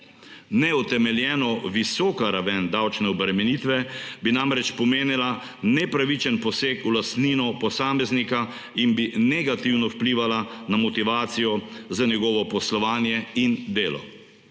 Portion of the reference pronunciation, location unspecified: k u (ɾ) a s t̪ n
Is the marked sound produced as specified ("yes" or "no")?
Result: no